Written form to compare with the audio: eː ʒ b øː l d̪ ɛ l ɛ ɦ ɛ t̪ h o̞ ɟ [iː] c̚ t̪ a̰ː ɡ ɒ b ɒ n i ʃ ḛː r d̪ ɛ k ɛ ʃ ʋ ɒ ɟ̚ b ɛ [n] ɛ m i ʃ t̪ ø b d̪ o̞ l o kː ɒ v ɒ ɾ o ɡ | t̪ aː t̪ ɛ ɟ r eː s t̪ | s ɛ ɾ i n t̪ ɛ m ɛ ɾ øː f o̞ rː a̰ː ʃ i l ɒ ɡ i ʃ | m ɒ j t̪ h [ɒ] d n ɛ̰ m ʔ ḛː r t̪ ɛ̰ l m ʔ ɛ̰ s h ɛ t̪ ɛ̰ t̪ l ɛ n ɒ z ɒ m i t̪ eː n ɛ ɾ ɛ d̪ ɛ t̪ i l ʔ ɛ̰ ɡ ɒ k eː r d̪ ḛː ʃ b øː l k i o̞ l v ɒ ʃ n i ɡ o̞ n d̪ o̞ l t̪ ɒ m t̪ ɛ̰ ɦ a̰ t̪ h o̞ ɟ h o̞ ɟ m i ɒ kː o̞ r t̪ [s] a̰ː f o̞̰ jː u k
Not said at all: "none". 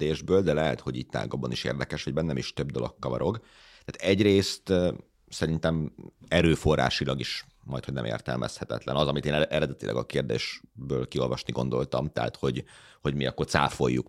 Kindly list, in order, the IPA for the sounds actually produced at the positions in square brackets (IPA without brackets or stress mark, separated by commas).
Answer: iː, nː, o, s